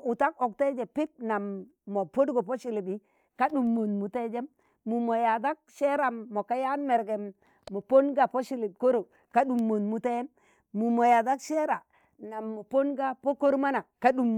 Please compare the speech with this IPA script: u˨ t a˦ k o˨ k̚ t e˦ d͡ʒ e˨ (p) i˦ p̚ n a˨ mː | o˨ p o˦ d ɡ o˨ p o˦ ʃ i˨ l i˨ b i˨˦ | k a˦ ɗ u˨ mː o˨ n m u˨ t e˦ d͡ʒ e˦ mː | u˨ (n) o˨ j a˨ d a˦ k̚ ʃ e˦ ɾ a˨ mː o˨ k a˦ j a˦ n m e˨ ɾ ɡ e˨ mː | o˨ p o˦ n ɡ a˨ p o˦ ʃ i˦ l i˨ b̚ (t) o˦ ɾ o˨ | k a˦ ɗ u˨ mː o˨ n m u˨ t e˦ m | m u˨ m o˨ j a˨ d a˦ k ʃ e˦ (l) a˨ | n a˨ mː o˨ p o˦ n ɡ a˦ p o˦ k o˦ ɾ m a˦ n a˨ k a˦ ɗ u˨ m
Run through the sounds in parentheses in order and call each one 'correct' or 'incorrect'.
correct, incorrect: m, incorrect: k, incorrect: ɾ

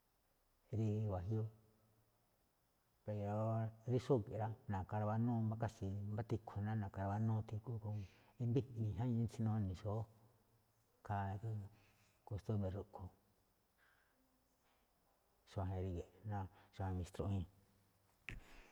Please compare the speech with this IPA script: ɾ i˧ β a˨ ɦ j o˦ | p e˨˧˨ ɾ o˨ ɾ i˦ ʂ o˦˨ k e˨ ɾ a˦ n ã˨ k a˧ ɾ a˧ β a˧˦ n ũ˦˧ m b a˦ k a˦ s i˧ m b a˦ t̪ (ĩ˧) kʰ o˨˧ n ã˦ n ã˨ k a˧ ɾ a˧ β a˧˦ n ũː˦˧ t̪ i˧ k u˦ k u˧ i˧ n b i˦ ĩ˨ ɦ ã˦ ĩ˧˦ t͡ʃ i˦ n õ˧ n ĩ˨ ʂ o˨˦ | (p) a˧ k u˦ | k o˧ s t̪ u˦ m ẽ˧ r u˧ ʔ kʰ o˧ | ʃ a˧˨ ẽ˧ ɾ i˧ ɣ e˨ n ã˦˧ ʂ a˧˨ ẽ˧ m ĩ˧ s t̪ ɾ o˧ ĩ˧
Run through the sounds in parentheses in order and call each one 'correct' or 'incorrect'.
incorrect: i˧, incorrect: k

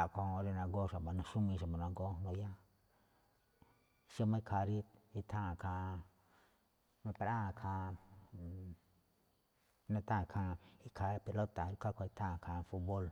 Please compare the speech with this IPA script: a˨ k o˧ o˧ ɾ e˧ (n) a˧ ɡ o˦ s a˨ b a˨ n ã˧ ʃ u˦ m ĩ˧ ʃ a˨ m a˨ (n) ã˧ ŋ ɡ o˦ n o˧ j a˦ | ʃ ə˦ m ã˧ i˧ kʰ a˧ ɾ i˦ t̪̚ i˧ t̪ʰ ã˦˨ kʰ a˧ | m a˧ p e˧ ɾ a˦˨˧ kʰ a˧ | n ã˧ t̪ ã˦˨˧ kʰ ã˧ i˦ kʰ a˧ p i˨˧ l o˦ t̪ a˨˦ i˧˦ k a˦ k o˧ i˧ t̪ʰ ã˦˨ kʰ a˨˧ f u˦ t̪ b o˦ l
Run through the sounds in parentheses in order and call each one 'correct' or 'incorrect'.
correct, correct

